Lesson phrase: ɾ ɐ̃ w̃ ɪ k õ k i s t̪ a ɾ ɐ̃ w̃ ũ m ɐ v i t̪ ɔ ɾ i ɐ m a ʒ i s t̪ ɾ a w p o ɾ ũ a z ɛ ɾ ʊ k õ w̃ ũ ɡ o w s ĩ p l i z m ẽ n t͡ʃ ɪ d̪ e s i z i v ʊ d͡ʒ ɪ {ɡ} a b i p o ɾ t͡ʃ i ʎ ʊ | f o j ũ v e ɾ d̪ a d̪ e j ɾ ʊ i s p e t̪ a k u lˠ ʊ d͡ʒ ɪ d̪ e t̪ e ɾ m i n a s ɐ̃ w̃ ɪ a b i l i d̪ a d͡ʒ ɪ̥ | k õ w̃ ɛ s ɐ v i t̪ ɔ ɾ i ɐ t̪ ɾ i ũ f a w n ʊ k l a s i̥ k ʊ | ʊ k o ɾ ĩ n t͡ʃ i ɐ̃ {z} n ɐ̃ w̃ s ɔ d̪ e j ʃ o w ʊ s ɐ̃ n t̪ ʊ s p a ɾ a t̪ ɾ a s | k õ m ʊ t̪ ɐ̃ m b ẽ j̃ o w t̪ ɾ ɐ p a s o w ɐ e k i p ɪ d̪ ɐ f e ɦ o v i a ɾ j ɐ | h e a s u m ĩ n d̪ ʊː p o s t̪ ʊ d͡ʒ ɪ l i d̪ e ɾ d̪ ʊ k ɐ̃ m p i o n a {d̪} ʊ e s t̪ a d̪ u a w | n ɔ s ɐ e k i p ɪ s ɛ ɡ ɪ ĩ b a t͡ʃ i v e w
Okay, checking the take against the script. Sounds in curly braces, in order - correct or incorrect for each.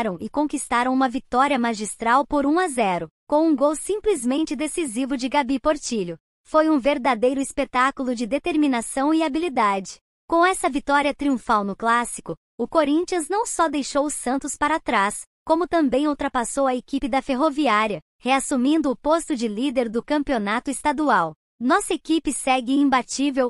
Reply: correct, correct, incorrect: t̪

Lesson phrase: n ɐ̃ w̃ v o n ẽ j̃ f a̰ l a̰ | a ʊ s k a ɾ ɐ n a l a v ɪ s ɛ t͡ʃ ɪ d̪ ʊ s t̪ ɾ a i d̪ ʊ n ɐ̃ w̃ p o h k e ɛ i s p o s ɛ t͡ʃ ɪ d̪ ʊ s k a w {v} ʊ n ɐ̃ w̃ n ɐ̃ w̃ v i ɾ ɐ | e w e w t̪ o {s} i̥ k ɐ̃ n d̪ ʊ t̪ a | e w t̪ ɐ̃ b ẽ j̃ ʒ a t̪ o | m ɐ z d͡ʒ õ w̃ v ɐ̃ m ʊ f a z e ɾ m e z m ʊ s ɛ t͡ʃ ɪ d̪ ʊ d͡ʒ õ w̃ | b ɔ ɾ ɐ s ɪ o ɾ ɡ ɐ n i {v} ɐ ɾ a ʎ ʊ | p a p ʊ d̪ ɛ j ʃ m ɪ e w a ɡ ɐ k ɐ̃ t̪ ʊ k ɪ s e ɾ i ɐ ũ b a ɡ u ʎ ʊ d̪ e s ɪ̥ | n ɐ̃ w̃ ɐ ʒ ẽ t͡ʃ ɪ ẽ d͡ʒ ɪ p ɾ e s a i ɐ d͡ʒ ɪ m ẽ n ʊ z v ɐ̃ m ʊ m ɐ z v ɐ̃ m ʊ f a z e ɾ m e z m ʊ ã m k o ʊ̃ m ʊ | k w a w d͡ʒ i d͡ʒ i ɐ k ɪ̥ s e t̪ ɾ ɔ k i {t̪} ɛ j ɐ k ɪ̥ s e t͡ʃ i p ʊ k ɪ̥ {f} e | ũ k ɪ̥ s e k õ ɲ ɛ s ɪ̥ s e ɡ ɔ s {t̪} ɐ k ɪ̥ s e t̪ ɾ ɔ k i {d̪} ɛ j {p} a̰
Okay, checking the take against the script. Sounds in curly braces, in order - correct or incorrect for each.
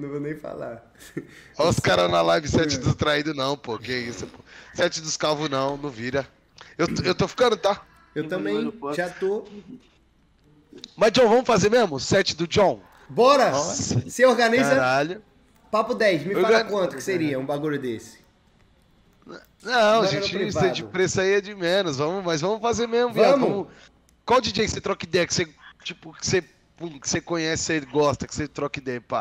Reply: correct, incorrect: f, incorrect: z, incorrect: d̪, incorrect: s, correct, correct, correct

